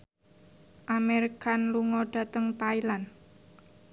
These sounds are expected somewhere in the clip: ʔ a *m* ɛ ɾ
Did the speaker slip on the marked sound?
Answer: no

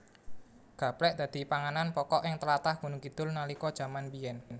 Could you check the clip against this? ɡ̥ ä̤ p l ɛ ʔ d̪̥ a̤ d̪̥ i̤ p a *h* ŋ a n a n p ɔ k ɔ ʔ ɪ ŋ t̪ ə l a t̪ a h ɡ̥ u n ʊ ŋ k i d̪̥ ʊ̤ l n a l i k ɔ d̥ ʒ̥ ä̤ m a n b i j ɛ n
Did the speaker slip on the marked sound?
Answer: yes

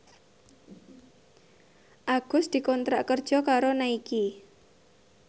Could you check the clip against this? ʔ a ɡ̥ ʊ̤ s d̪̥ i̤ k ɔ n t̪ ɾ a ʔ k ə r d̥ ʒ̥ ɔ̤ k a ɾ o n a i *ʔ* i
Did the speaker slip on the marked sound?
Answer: yes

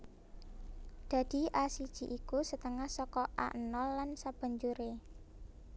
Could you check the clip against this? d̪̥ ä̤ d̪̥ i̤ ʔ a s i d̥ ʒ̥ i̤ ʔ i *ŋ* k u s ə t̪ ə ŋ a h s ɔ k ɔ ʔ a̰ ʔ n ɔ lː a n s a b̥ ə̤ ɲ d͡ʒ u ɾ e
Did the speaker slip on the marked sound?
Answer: yes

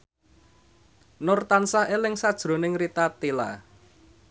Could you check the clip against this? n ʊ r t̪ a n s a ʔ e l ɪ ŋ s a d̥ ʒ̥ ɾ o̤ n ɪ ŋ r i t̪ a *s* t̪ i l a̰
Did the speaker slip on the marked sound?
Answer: yes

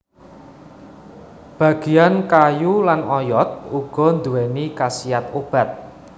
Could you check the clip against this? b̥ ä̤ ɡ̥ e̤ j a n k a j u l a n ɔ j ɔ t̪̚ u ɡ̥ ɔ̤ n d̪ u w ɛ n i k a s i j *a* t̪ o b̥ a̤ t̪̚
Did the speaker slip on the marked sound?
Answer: no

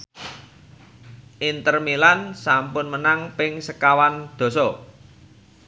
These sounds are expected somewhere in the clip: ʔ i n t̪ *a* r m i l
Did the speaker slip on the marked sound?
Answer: yes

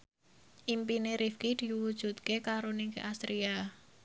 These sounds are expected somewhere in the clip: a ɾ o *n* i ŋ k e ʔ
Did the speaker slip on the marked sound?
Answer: no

